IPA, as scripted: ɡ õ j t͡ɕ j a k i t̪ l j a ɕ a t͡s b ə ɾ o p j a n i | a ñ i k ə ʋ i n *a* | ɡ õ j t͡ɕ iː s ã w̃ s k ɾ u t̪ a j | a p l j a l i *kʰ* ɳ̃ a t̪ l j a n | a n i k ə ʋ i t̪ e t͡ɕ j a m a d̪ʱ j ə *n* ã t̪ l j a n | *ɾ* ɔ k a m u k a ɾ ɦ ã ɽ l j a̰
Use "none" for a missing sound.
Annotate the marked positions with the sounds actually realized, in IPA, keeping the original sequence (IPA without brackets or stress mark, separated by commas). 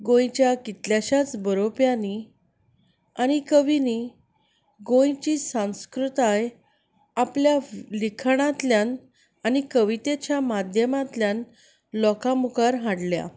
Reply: i, kʰ, m, l